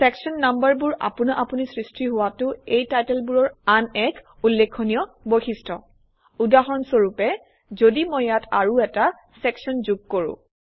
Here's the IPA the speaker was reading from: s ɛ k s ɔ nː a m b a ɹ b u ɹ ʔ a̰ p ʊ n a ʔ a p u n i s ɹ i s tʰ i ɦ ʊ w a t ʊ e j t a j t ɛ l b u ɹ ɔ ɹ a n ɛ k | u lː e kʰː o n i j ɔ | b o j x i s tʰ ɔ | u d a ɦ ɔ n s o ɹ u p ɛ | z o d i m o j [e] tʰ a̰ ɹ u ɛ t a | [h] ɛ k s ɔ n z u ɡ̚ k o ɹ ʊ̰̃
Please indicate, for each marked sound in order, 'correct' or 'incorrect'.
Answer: incorrect, incorrect

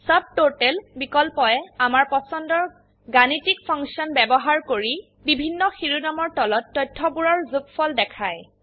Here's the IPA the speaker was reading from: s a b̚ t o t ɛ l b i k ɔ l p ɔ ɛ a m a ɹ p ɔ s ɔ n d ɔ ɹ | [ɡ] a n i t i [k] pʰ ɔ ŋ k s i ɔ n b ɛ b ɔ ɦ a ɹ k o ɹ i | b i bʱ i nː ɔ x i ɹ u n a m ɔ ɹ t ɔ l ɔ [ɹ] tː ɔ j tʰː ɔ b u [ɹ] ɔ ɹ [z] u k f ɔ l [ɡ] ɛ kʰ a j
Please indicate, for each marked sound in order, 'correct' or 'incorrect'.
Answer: correct, correct, incorrect, correct, correct, incorrect

